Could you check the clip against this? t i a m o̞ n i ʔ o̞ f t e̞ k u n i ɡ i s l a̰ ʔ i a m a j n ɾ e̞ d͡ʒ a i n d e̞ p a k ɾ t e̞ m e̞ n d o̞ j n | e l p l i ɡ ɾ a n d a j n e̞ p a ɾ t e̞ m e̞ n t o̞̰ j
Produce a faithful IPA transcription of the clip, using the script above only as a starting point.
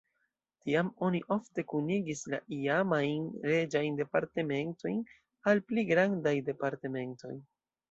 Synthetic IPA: t i a m o̞ n i ʔ o̞ f t e̞ k u n i ɡ i s l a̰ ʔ i a m a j n ɾ e̞ d͡ʒ a j n d e̞ p a ɾ t e̞ m e̞ n t o̞ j n | a l p l i ɡ ɾ a n d a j d e̞ p a ɾ t e̞ m e̞ n t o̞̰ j